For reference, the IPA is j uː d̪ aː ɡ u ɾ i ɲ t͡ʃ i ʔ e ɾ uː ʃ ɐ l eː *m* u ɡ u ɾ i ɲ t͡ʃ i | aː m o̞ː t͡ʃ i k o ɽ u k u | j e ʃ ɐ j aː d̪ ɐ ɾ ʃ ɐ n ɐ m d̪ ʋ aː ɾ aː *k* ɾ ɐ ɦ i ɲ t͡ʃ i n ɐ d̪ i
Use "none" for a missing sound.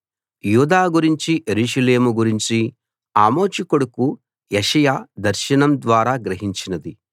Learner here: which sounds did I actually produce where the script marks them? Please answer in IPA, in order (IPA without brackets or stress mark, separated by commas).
m, ɡ